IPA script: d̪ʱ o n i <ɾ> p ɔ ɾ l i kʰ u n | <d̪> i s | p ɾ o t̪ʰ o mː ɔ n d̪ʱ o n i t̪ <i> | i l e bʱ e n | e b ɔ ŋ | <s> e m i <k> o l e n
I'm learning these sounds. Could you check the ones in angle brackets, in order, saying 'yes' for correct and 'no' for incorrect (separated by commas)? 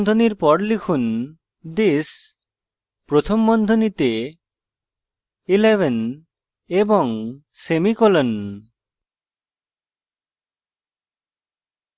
yes, yes, no, yes, yes